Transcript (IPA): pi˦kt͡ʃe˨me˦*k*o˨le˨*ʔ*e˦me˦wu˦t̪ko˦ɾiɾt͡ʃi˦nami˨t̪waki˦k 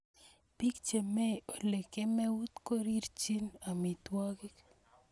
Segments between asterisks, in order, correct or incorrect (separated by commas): incorrect, incorrect